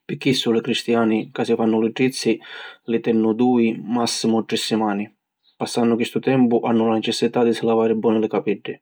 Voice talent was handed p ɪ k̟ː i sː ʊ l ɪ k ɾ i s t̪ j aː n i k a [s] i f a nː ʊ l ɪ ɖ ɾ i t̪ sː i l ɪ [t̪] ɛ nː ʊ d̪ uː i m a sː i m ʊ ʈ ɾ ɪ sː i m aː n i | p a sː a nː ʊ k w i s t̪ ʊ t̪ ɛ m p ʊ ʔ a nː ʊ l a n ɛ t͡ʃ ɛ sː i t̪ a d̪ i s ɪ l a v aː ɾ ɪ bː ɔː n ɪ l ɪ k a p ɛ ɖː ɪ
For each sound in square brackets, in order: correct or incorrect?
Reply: correct, correct

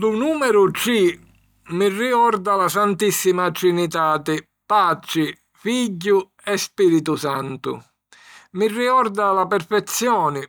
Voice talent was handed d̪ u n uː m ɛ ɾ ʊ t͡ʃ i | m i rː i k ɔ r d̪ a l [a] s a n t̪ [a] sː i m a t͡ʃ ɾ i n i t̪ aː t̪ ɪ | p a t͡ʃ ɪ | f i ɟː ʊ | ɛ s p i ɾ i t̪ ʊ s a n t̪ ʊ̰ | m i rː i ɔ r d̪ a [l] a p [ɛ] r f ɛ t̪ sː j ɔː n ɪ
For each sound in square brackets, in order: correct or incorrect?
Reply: correct, incorrect, correct, correct

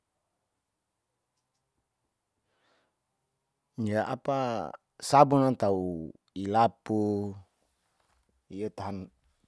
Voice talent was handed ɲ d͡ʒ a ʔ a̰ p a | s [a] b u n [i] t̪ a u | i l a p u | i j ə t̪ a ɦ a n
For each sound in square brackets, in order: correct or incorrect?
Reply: correct, incorrect

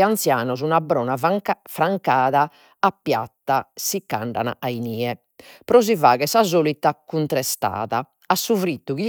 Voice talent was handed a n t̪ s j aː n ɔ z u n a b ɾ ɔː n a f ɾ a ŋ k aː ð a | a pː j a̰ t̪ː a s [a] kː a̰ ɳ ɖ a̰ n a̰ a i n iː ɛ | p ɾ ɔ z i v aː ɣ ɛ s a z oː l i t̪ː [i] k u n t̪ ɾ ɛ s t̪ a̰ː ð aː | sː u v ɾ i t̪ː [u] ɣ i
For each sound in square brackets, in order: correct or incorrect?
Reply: incorrect, incorrect, correct

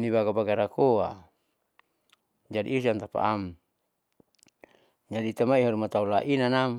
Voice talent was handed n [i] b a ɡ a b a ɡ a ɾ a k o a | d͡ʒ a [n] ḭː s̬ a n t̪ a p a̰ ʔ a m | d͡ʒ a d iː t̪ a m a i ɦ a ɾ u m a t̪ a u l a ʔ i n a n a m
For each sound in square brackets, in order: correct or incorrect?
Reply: correct, incorrect

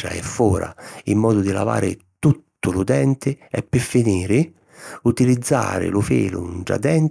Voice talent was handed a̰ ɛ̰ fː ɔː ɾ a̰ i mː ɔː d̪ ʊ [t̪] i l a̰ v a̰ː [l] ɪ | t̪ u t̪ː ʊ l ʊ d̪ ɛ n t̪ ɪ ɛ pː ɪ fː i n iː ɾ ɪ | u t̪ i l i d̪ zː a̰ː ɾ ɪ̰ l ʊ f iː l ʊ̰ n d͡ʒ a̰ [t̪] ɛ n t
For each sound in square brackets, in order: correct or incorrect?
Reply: incorrect, incorrect, incorrect

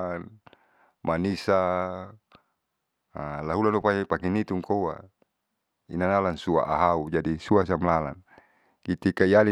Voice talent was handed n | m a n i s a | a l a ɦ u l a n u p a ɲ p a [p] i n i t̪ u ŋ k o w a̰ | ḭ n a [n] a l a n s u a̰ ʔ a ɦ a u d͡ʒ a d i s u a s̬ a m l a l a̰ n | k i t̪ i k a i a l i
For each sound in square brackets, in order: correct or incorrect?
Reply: incorrect, correct

